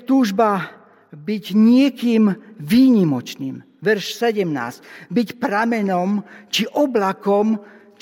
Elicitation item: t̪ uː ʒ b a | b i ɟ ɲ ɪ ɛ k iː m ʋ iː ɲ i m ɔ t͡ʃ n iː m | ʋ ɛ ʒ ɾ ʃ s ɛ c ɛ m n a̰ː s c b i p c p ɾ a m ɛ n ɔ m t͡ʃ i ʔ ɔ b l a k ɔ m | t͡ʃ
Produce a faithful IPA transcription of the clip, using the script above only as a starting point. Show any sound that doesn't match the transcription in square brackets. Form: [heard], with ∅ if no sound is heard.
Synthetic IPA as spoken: t̪ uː ʒ b a | b i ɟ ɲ ɪ ɛ k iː m ʋ iː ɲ i m ɔ t͡ʃ n iː m | ʋ ɛ [∅] ɾ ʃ s ɛ [ɟ] ɛ m n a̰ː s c b i [∅] c p ɾ a m ɛ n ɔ m t͡ʃ i ʔ ɔ b l a k ɔ m | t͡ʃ